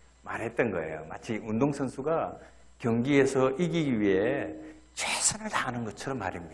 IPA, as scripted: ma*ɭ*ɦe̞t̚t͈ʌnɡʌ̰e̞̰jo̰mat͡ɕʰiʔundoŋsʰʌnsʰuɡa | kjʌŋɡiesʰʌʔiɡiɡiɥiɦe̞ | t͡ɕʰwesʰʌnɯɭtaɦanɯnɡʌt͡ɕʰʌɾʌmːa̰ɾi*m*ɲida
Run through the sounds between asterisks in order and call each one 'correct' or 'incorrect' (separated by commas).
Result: incorrect, correct